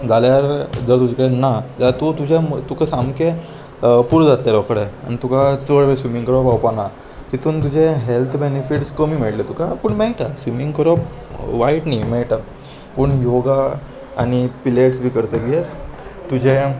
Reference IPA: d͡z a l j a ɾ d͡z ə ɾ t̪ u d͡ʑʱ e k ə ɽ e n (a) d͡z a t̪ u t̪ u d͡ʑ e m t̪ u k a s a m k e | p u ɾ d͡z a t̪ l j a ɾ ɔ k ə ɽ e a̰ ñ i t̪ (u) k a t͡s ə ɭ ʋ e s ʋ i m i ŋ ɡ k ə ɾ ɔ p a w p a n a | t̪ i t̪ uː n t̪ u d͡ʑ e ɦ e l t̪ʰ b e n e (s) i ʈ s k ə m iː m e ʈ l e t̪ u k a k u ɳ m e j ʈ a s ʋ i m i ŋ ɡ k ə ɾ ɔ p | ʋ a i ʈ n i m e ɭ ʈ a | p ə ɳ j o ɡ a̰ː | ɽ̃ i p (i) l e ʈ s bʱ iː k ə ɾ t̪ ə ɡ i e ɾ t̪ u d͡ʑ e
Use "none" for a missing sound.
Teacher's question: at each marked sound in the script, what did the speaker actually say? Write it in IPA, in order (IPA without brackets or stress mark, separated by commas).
a, u, f, i